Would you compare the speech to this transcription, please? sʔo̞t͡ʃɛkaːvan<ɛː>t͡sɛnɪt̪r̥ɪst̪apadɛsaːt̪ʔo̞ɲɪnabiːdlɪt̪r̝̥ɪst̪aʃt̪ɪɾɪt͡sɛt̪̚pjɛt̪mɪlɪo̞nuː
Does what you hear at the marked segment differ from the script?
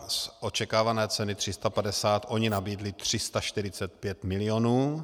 no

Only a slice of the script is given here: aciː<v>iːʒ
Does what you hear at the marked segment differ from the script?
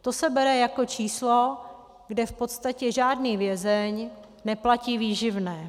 no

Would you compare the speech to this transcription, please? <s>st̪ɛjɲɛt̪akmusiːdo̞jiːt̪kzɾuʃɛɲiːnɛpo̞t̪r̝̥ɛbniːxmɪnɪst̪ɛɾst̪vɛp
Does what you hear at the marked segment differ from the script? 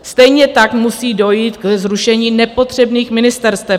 no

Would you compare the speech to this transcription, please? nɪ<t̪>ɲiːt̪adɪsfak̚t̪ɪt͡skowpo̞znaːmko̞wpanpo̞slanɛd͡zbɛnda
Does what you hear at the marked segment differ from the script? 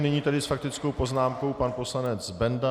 yes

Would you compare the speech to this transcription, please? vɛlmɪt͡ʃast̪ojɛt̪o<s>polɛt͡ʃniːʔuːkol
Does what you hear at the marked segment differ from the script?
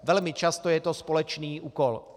no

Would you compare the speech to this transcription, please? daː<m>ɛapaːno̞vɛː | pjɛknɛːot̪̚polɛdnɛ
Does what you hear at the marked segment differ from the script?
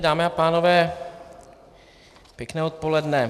no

